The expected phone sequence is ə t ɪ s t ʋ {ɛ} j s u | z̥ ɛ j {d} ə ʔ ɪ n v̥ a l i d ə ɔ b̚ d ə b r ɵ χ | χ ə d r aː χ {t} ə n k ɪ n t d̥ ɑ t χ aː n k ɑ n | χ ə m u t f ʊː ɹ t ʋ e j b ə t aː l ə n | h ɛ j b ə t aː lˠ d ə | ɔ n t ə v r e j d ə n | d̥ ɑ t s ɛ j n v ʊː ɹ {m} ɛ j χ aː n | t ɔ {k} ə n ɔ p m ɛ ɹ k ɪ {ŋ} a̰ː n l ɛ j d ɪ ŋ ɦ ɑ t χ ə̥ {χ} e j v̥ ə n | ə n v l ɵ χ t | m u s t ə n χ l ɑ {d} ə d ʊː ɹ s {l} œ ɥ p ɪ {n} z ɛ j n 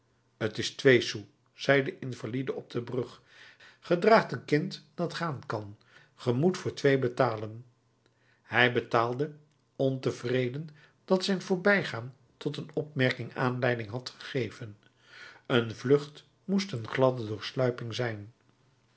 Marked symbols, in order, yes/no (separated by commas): no, yes, yes, no, no, yes, yes, yes, yes, no